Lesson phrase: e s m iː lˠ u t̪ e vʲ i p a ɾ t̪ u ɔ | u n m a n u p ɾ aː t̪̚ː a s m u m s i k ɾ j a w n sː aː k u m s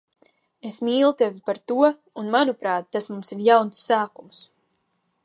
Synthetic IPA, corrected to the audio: e s m iː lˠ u t̪ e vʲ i p a ɾ t̪ u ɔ | u n m a n u p ɾ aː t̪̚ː a s m u m s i ɾ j a w n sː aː k u m s